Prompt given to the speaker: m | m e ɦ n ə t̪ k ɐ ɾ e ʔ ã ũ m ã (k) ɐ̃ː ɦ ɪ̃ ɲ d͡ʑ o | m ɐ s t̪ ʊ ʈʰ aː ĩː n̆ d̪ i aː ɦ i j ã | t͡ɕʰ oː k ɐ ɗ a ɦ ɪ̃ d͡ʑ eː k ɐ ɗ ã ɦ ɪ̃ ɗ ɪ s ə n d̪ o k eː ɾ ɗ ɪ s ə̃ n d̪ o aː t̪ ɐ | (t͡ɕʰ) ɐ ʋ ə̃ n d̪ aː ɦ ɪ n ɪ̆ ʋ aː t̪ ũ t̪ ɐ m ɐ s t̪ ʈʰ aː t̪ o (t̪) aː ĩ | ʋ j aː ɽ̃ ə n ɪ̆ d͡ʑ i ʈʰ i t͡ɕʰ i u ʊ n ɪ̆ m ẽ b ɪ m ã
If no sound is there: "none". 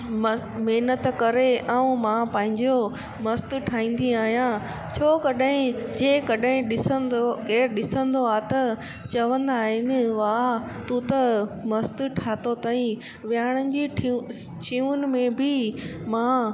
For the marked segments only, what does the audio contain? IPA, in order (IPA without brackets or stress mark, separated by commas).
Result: p, t͡ɕ, t̪